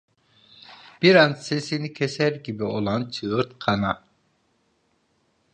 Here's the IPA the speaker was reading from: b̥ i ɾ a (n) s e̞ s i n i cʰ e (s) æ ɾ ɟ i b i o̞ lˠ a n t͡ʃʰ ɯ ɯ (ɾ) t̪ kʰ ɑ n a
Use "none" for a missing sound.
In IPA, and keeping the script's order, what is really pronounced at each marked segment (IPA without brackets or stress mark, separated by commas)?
n, s, ɾ